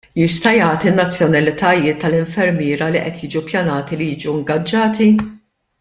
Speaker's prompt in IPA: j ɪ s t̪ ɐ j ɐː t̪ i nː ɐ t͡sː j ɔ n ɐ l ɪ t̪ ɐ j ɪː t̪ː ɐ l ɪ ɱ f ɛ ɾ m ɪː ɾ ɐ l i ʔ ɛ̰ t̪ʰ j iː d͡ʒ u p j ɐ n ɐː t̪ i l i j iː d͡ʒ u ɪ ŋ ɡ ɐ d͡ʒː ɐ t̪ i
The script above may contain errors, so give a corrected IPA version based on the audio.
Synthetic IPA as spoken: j ɪ s t̪ ɐ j ɐː t̪ i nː ɐ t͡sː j ɔ n ɐ l ɪ t̪ ɐ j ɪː t̪ː ɐ l ɪ ɱ f ɛ ɾ m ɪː ɾ ɐ l i ʔ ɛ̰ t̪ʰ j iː d͡ʒ u p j ɐ n ɐː t̪ i l i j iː d͡ʒ u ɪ ŋ ɡ ɐ d͡ʒː ɐː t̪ i